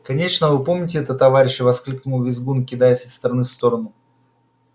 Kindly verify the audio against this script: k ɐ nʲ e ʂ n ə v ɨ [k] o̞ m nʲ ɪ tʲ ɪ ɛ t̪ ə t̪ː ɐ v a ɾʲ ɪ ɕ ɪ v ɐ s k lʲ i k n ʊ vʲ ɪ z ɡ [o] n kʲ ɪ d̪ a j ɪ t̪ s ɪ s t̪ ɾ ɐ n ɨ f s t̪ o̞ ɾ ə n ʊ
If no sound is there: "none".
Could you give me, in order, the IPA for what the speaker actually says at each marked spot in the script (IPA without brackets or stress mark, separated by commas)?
p, u